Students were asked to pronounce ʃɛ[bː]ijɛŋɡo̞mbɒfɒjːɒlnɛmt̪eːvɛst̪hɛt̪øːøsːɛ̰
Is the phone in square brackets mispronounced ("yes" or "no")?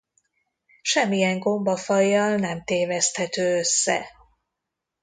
yes